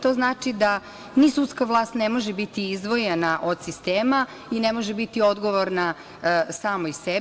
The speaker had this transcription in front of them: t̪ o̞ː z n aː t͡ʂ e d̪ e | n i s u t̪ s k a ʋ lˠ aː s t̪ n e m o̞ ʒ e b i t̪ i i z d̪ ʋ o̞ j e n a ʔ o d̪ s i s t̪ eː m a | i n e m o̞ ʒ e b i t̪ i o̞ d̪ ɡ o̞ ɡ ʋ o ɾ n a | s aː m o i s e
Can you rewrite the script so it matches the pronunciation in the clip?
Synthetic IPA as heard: t̪ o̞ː z n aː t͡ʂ i d̪ a | n i s u t̪ s k a ʋ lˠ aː s t̪ n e m o̞ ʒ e b i t̪ i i z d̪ ʋ o̞ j e n a ʔ o d̪ s i s t̪ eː m a | i n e m o̞ ʒ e b i t̪ i o̞ d̪ ɡ o̞ ʋ o ɾ n a | s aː m o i s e